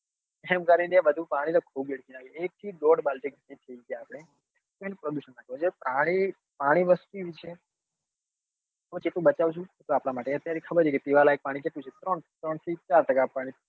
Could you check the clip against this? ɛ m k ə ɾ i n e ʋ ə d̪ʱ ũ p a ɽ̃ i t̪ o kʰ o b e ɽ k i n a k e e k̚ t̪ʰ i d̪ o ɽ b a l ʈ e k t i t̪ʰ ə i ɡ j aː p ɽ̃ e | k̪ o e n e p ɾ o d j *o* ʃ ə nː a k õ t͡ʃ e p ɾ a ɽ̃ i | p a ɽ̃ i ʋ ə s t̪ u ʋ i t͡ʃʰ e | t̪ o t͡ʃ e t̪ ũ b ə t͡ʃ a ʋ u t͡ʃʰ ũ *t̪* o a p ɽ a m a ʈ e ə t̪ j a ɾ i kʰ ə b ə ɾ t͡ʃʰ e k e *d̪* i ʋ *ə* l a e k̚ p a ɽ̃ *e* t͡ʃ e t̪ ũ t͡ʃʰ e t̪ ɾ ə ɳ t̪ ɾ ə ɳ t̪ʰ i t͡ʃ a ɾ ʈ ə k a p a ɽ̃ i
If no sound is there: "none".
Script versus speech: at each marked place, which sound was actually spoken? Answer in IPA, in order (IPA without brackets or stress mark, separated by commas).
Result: u, t̪, t̪, a, i